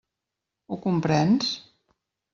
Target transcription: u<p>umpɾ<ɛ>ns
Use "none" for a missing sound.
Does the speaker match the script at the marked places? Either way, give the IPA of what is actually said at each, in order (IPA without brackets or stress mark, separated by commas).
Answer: k, ɛ